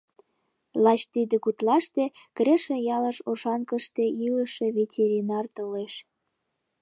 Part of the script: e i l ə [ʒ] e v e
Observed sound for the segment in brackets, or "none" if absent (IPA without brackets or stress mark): ʃ